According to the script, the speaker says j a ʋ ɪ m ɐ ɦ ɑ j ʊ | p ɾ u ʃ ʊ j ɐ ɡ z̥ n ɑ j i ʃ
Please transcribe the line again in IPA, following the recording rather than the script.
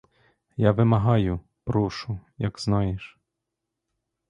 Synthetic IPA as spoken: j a ʋ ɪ m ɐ ɦ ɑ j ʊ | p ɾ u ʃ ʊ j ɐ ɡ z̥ n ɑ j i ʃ